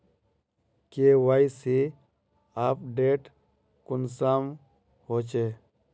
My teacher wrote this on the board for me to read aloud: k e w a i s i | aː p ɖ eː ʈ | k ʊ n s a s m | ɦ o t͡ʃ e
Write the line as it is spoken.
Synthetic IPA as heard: k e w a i s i | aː p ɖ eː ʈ | k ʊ n s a m | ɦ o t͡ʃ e